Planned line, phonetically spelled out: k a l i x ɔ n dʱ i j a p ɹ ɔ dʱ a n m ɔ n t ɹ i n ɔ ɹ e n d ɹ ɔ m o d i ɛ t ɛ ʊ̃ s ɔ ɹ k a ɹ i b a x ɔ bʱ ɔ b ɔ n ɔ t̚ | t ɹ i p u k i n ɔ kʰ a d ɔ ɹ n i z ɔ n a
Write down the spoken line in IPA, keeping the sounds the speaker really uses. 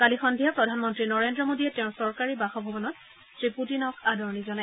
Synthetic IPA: k a l i x ɔ n dʱ i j a p ɹ ɔ dʱ a n m ɔ n t ɹ i n ɔ ɹ e n d ɹ ɔ m o d i ɛ t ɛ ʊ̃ s ɔ ɹ k a ɹ i b a x ɔ bʱ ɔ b ɔ n ɔ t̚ | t ɹ i p u t i n ɔ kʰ a d ɔ ɹ n i z ɔ n a